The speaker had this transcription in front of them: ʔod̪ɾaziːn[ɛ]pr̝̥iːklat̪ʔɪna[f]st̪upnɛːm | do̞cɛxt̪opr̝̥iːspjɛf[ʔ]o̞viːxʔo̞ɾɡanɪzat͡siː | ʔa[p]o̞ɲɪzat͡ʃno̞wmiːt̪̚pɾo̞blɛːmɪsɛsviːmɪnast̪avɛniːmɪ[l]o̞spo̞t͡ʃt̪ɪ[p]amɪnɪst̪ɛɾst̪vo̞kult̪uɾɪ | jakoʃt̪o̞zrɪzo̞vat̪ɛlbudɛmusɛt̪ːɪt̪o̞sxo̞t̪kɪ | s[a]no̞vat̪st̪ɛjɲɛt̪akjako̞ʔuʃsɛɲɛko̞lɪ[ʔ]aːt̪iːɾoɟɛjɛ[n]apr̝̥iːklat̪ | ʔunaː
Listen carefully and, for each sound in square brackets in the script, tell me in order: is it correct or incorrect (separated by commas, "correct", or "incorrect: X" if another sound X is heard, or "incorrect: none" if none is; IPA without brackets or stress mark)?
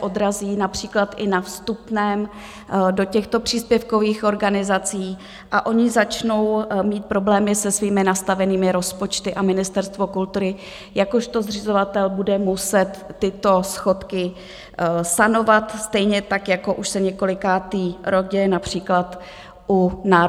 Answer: incorrect: a, correct, incorrect: k, incorrect: ʔ, incorrect: ɾ, incorrect: ʔ, correct, incorrect: k, correct